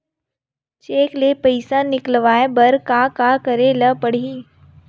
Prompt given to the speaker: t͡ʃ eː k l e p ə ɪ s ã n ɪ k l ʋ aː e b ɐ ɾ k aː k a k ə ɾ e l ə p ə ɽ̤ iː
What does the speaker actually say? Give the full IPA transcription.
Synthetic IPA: t͡ʃ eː k l e p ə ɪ s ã n ɪ k l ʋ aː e b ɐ ɾ k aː k a k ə ɾ e l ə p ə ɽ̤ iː